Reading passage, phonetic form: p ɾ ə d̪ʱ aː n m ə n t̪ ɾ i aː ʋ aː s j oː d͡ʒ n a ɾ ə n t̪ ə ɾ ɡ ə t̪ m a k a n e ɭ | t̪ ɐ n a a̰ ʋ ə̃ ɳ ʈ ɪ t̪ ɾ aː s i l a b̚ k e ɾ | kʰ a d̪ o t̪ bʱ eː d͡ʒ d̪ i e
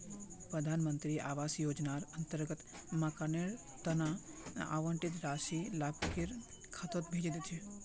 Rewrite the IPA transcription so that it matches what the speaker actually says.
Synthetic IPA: p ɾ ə d̪ʱ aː n m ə n t̪ ɾ i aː ʋ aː s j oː d͡ʒ n a ɾ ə n t̪ ə ɾ ɡ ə t̪ m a k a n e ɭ | t̪ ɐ n a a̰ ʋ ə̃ ɳ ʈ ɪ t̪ ɾ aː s i l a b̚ k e ɾ | kʰ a t̪ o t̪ bʱ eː d͡ʒ d̪ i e